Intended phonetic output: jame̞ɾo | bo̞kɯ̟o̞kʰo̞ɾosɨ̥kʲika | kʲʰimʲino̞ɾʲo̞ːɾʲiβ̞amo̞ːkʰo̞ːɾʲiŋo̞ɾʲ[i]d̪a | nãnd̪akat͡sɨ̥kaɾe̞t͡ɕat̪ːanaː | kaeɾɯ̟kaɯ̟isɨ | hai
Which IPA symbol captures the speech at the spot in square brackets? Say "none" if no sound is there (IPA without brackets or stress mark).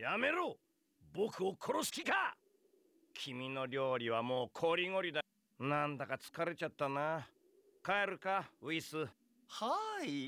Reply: i